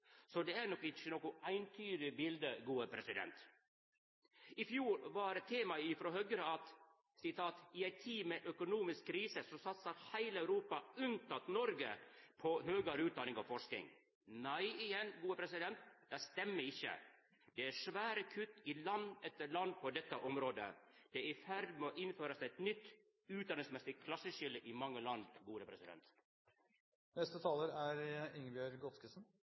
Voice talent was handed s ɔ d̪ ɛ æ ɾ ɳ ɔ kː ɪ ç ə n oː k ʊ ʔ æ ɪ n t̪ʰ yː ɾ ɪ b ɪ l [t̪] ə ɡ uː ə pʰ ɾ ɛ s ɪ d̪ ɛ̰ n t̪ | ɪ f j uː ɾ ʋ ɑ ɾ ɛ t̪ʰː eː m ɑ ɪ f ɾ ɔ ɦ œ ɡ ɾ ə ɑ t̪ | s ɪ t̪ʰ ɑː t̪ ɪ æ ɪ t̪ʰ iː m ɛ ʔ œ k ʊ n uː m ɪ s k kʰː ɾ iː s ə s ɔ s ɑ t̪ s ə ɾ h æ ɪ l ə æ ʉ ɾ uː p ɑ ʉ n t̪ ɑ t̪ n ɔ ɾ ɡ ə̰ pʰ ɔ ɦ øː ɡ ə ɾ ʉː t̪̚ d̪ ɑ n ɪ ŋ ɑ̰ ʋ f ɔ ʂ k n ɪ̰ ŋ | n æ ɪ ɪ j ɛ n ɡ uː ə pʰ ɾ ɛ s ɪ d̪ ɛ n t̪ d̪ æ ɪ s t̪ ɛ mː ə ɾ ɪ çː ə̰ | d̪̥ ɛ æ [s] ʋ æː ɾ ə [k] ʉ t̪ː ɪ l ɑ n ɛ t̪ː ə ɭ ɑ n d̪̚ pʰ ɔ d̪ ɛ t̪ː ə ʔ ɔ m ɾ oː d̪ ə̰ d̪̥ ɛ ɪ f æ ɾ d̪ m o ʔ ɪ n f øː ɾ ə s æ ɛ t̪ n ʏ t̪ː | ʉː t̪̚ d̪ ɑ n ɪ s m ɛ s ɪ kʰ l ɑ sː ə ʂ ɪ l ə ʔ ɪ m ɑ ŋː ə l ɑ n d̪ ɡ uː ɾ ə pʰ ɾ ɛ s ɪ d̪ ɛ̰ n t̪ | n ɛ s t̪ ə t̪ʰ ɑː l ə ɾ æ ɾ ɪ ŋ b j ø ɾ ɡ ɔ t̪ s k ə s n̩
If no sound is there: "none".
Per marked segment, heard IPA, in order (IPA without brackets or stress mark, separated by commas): d̪, ʂ, kʰ